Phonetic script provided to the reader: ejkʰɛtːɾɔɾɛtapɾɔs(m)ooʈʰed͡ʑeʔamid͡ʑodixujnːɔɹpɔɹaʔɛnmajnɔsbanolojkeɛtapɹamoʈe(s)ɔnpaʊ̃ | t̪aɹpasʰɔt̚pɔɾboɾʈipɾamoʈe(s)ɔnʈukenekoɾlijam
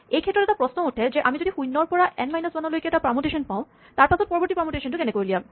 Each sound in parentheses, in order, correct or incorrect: incorrect: n, incorrect: ʃ, incorrect: ʃ

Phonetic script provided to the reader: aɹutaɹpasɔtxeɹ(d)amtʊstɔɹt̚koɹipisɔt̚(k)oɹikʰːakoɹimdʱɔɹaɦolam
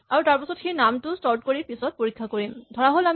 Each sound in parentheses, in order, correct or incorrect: incorrect: n, incorrect: p

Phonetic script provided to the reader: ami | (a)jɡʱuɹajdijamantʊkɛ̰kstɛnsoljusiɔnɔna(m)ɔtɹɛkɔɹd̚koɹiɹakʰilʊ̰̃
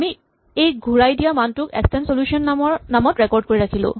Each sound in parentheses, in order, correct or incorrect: incorrect: e, correct

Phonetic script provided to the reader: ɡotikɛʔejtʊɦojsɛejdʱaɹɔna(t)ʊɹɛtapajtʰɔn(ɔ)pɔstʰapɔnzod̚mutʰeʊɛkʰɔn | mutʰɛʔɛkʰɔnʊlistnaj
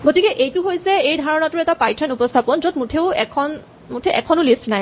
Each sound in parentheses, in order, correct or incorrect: correct, incorrect: u

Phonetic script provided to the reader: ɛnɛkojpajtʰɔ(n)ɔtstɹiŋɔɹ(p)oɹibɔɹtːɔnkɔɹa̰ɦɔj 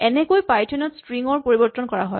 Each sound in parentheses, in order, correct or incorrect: correct, correct

